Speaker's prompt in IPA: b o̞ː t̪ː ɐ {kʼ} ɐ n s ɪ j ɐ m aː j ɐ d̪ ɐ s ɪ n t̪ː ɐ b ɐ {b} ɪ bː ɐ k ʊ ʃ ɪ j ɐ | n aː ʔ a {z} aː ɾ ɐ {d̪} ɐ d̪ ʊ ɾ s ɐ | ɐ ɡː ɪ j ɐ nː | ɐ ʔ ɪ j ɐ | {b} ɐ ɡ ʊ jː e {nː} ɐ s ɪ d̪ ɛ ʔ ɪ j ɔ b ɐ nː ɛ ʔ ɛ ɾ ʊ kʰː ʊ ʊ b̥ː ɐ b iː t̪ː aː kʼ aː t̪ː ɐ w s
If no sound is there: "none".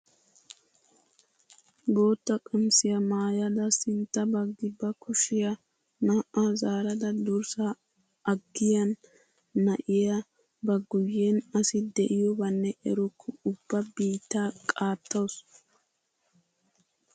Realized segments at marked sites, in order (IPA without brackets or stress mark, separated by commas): kʼ, ɡ, z, d̪, b, n